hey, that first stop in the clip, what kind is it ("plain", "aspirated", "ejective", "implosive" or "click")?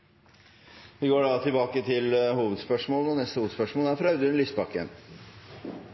plain